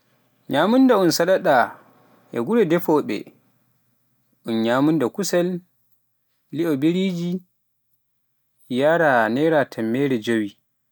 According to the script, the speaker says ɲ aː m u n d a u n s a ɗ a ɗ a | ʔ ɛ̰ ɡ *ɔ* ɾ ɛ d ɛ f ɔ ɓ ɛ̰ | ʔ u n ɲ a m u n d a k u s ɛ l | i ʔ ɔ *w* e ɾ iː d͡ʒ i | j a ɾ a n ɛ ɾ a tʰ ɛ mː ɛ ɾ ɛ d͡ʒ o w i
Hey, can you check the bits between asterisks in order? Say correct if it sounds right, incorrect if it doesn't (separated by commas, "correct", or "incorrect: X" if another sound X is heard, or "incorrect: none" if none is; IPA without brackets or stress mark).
incorrect: u, incorrect: b